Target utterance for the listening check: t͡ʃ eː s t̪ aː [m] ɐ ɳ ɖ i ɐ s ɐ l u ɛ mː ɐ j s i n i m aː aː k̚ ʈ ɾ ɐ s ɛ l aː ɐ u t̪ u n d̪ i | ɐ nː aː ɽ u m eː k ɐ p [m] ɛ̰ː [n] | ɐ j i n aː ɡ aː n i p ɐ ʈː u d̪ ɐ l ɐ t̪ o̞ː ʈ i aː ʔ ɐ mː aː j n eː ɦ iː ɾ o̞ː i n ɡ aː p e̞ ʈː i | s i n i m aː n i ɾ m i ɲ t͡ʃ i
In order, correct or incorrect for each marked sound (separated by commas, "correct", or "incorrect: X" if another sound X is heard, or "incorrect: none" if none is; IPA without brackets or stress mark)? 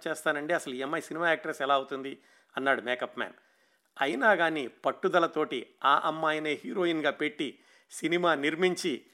incorrect: n, correct, correct